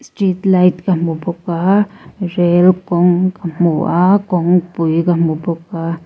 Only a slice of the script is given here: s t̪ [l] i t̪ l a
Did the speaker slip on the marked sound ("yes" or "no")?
yes